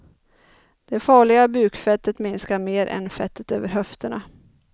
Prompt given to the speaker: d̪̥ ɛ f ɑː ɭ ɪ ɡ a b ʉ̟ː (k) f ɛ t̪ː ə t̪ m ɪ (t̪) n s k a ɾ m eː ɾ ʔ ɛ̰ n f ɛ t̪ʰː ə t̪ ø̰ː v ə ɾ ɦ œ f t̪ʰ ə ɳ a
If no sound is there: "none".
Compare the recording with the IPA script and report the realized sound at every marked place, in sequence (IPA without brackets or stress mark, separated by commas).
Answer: k, none